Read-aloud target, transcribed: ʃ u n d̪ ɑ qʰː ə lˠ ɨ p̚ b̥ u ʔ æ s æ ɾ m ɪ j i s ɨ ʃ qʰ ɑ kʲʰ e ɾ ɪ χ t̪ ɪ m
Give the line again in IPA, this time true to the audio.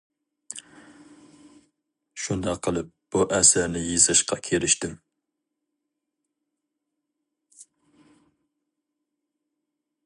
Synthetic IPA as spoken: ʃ u n d̪ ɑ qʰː ə lˠ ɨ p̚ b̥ u ʔ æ s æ ɾ n ɪ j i z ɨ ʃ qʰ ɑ kʲʰ e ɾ ɪ ʃ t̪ ɪ m